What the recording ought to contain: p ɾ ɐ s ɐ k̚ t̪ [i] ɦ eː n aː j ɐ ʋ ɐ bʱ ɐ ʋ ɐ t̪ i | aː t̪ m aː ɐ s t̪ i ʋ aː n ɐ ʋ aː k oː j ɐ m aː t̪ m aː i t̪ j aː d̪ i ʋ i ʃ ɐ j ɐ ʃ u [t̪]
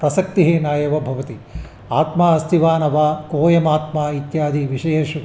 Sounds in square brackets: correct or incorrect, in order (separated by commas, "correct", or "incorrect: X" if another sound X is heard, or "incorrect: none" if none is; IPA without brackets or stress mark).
correct, incorrect: none